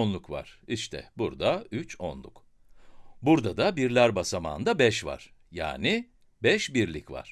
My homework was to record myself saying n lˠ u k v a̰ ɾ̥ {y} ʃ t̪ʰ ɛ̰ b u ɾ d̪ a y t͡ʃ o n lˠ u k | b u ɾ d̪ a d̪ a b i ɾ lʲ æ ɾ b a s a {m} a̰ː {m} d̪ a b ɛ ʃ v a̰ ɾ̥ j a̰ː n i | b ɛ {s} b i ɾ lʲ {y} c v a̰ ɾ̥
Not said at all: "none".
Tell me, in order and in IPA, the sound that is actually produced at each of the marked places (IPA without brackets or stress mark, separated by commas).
i, m, n, ʃ, i